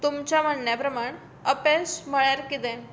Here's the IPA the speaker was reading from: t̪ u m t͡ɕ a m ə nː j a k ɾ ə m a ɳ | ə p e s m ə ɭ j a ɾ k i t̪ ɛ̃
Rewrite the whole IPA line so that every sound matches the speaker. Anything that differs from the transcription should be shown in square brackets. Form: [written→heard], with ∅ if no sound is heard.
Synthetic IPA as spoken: t̪ u m t͡ɕ a m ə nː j a [k→p] ɾ ə m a ɳ | ə p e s m ə ɭ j a ɾ k i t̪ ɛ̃